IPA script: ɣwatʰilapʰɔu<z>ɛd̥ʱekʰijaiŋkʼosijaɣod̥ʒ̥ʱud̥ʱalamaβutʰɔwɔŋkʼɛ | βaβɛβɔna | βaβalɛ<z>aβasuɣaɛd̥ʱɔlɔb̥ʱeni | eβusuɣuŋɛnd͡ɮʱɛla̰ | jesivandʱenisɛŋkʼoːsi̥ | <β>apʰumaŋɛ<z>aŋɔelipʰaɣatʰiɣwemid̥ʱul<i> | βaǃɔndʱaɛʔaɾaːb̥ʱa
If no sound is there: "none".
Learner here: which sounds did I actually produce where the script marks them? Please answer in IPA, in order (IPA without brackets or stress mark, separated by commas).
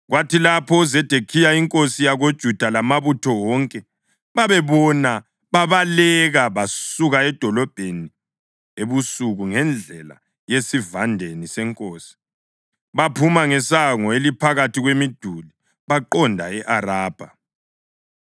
z, ɣ, β, s, i